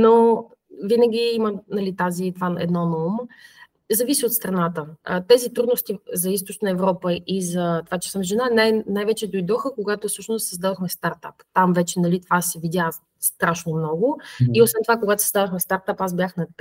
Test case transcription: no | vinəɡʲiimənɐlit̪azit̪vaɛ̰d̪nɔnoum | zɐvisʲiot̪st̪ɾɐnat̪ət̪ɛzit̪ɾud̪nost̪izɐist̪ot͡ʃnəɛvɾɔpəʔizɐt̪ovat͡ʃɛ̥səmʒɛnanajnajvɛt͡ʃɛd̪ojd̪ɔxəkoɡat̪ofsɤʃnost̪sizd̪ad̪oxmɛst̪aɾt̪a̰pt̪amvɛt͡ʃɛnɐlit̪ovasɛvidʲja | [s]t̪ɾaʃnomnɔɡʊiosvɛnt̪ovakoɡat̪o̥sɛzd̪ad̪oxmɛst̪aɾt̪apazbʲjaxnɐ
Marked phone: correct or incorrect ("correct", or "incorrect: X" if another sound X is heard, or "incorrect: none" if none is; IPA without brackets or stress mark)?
correct